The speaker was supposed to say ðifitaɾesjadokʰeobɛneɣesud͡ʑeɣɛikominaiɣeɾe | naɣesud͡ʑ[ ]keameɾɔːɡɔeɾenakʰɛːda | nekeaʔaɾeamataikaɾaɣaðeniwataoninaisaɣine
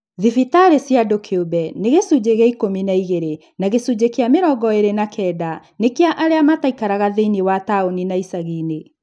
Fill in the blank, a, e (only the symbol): e